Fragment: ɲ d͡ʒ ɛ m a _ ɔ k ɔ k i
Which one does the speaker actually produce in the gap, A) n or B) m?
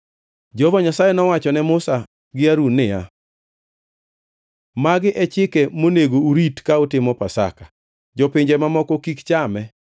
B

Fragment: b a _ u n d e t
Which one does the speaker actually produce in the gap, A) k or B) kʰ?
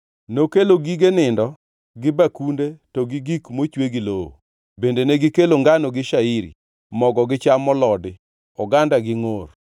A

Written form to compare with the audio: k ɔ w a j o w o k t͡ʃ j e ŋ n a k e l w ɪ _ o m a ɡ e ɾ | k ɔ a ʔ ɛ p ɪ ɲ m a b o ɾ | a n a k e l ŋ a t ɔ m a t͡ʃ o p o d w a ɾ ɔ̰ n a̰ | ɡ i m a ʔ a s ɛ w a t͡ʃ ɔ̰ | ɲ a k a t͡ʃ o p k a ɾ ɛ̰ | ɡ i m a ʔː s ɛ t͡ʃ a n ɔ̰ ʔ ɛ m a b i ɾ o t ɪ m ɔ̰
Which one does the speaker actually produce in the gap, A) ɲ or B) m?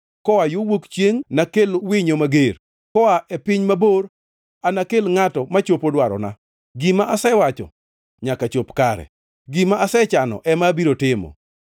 A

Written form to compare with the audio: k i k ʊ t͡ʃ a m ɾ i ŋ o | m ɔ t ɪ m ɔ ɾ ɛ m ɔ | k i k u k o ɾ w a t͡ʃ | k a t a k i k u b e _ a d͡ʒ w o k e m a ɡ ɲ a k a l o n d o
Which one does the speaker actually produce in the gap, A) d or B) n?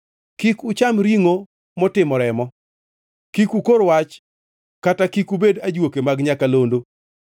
A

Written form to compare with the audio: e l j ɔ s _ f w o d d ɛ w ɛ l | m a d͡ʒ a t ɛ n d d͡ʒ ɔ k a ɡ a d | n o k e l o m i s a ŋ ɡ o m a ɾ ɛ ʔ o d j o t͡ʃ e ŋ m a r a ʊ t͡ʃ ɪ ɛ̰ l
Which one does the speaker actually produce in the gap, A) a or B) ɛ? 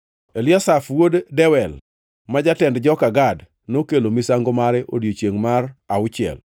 A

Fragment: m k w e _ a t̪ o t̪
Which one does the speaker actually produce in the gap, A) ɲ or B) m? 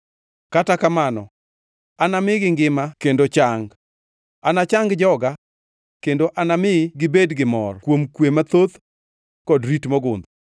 B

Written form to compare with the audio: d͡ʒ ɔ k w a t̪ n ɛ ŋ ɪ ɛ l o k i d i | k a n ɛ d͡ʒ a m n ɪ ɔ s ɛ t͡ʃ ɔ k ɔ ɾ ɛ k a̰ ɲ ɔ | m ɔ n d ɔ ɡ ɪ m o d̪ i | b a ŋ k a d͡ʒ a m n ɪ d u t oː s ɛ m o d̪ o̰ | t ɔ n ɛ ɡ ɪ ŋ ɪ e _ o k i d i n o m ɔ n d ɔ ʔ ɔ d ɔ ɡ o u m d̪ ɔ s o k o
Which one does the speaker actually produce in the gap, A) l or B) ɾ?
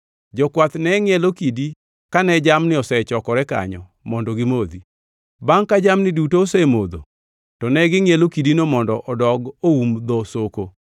A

